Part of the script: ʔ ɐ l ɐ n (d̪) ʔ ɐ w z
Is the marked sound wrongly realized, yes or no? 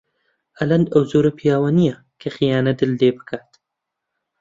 no